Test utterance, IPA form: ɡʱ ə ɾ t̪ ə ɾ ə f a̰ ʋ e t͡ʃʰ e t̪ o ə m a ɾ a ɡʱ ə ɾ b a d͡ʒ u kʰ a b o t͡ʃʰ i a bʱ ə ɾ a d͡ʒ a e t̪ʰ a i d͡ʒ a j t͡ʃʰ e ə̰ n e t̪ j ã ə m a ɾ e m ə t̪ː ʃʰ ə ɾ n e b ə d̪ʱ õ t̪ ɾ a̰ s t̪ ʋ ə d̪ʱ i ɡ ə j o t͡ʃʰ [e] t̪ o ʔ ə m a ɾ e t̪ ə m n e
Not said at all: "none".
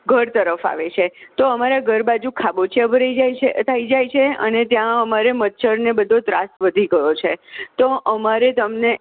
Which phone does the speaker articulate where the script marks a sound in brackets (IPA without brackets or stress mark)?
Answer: e